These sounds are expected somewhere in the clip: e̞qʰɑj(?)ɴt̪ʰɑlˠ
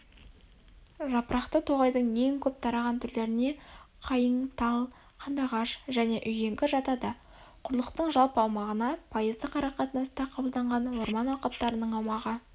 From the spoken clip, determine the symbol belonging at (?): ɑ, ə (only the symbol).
ə